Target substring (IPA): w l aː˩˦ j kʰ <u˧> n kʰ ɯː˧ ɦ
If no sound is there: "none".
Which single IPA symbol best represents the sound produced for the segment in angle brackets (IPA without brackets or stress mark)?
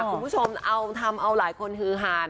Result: o˧